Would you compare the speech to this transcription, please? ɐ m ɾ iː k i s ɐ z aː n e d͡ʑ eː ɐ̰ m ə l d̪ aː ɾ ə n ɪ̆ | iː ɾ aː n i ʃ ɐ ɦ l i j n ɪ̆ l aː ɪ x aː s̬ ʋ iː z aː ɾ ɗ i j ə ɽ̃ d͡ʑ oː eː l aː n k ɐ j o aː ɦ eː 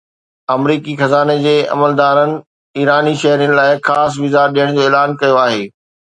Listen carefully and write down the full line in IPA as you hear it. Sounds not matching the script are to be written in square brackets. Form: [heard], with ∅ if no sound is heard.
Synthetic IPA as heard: ɐ m ɾ iː k i [x] ɐ z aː n e d͡ʑ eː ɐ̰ m ə l d̪ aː ɾ ə n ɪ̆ | iː ɾ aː n i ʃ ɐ ɦ [ɾ] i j n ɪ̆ l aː ɪ x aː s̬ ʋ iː z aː ɾ ɗ i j ə ɽ̃ d͡ʑ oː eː l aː n k ɐ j o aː ɦ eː

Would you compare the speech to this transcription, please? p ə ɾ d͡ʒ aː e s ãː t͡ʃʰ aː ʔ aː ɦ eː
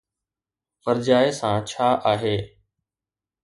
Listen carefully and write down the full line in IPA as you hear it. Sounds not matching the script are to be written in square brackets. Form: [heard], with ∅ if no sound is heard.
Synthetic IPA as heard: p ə ɾ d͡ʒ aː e s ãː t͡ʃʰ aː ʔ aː ɦ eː

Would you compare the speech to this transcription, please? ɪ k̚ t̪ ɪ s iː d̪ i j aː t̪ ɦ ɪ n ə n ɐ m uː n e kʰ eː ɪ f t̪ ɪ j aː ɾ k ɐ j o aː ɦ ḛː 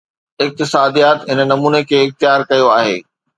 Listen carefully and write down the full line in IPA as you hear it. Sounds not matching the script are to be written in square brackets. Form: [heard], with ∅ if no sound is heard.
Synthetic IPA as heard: ɪ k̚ t̪ ɪ s [aː] d̪ i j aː t̪ ɦ ɪ n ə n ɐ m uː n e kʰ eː ɪ [x] t̪ ɪ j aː ɾ k ɐ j o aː ɦ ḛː

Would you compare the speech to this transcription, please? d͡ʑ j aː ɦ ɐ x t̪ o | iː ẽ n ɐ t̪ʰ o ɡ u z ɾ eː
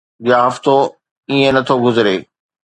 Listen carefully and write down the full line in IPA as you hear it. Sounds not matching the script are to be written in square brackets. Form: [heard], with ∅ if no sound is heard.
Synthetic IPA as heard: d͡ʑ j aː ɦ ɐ [f] t̪ o | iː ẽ n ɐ t̪ʰ o ɡ [ʊ] z ɾ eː

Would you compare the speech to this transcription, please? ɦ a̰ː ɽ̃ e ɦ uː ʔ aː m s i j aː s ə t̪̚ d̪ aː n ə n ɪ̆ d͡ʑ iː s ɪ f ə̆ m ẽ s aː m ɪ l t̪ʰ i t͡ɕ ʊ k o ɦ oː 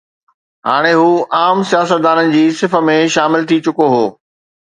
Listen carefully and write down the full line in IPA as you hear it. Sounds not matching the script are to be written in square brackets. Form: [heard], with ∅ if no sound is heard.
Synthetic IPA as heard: ɦ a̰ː ɽ̃ e ɦ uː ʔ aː m s i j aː s ə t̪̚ d̪ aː n ə n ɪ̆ d͡ʑ iː s ɪ f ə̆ m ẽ [ʃ] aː m ɪ l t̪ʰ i t͡ɕ ʊ k o ɦ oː

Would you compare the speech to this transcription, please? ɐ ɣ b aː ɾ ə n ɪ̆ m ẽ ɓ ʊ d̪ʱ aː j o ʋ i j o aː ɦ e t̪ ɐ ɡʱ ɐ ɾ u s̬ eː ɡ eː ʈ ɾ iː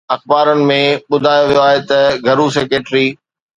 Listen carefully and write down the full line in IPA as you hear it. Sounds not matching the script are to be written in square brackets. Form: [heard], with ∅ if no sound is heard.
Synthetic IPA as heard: ɐ [x] b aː ɾ ə n ɪ̆ m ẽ ɓ ʊ d̪ʱ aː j o ʋ i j o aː ɦ e t̪ ɐ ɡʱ ɐ ɾ u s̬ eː [k] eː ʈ ɾ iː

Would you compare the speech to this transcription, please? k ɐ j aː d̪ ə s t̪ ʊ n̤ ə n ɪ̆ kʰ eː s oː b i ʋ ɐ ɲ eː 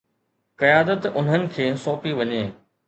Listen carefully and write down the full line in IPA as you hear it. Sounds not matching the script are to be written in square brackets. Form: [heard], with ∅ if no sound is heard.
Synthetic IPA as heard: k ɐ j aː d̪ ə [∅] t̪ ʊ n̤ ə n ɪ̆ kʰ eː s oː [p] i ʋ ɐ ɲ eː

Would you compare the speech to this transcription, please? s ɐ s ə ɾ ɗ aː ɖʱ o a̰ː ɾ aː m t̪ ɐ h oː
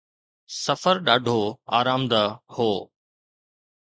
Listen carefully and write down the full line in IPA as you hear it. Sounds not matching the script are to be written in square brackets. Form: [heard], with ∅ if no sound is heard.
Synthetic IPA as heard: s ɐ [f] ə ɾ ɗ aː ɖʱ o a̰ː ɾ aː m [d̪] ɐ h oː

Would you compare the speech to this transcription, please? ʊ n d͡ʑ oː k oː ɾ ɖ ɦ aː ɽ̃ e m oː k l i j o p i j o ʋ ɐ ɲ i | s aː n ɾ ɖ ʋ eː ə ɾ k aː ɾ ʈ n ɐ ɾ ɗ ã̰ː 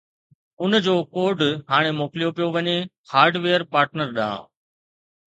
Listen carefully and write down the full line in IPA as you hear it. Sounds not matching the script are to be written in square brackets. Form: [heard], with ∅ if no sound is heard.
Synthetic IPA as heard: ʊ n d͡ʑ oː k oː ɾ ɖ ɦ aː ɽ̃ e m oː k l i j o p i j o ʋ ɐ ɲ [e] | [h] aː [∅] ɾ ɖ ʋ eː ə ɾ [p] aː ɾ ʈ n [ə] ɾ ɗ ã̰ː

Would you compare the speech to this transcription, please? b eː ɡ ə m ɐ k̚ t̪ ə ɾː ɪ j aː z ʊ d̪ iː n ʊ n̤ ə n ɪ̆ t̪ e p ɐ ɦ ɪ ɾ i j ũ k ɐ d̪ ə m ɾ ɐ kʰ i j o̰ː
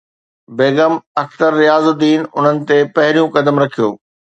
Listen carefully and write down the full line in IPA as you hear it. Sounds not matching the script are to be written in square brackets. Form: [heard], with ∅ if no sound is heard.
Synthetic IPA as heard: b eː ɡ ə m ɐ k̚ t̪ ə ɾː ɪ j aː z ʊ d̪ iː n ʊ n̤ ə n ɪ̆ t̪ e p ɐ ɦ ɪ ɾ i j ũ k ɐ d̪ ə m ɾ ɐ kʰ i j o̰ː

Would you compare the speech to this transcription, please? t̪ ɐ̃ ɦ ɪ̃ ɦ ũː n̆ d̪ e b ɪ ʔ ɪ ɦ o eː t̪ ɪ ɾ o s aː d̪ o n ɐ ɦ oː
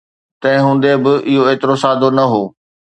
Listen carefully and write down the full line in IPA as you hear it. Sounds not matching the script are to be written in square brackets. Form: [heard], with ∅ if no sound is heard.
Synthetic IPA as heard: t̪ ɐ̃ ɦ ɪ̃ ɦ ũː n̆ d̪ e b ɪ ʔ ɪ ɦ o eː t̪ ɪ ɾ o s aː d̪ o n ɐ ɦ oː

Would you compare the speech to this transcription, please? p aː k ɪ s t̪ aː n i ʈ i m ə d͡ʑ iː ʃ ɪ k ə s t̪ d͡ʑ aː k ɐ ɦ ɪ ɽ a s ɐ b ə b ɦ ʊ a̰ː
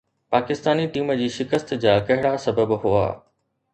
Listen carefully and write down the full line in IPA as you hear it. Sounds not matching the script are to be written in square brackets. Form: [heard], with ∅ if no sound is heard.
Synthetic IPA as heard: p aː k ɪ s t̪ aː n i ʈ [iː] m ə d͡ʑ iː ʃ ɪ k ə s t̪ d͡ʑ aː k ɐ ɦ ɪ ɽ a s ɐ b ə b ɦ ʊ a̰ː

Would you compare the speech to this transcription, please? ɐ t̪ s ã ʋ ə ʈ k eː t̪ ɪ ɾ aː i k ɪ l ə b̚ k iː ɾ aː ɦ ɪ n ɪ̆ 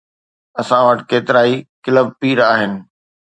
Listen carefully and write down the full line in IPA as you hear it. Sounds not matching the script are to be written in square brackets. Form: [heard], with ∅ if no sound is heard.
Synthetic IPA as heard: ɐ [∅] s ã ʋ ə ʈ k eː t̪ ɪ ɾ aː i k ɪ l ə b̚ [p] iː ɾ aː ɦ ɪ n ɪ̆

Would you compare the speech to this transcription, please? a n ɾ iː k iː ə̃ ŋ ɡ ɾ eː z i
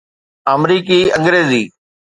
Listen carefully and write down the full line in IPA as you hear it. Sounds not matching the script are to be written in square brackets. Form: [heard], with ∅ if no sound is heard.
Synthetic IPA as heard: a [m] ɾ iː k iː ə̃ ŋ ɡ ɾ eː z [iː]

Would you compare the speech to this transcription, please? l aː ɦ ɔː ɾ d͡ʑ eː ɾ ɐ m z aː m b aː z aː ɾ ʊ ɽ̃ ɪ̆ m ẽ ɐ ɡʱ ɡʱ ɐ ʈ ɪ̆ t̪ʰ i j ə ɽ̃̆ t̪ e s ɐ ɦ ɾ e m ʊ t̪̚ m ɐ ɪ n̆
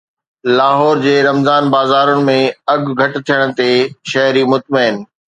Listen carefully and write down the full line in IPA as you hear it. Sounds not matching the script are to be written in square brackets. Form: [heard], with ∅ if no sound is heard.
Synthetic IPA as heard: l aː ɦ ɔː ɾ d͡ʑ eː ɾ ɐ m z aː [n] b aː z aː ɾ ʊ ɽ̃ ɪ̆ m ẽ ɐ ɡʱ ɡʱ ɐ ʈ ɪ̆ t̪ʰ i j ə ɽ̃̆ t̪ e [ʃ] ɐ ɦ ɾ [i] m ʊ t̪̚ m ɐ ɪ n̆

